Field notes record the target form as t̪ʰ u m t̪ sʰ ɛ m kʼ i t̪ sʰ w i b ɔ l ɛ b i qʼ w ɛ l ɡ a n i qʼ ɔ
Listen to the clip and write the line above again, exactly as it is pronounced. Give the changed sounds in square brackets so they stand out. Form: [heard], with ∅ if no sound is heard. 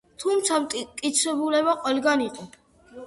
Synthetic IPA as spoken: t̪ʰ u m t̪ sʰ [a] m kʼ i t̪ sʰ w [ɛ] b [u] l ɛ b [a] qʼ w ɛ l ɡ a n i qʼ ɔ